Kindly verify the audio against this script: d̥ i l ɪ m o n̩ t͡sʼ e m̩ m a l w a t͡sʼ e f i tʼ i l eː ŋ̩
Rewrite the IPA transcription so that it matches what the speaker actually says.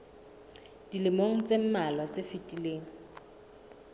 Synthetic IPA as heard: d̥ i l ɪ m o ŋ̩ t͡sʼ e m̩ m a l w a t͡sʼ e f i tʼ i l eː ŋ̩